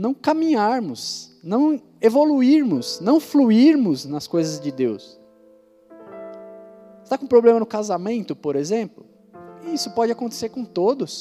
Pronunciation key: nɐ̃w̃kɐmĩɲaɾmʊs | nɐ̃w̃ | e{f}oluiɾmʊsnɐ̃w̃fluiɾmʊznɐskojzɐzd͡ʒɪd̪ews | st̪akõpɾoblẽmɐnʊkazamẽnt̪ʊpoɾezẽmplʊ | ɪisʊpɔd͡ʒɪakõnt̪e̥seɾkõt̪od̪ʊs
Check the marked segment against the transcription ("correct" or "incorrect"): incorrect